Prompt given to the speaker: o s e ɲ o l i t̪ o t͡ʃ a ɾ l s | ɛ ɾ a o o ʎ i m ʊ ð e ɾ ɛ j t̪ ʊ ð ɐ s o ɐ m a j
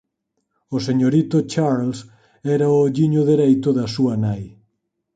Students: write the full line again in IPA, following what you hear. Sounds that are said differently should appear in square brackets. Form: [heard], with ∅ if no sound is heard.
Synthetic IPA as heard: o s e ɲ o [ɾ] i t̪ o t͡ʃ a ɾ l s | ɛ ɾ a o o ʎ i [ɲ] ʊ ð e ɾ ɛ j t̪ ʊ ð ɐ s [u] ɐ [n] a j